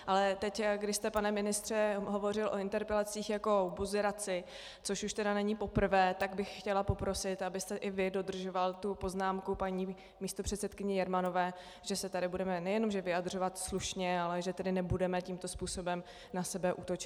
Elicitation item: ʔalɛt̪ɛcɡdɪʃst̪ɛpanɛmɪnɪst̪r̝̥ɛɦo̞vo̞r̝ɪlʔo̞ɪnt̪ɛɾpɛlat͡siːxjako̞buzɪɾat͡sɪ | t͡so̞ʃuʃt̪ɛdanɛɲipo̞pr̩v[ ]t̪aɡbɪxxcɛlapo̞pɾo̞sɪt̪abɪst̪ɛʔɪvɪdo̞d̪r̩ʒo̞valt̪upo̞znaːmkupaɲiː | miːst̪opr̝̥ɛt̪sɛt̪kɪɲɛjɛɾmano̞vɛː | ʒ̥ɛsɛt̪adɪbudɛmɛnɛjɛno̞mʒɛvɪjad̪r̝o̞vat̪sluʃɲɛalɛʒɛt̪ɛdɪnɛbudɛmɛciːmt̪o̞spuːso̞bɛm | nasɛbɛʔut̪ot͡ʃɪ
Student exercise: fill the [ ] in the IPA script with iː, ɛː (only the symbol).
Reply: ɛː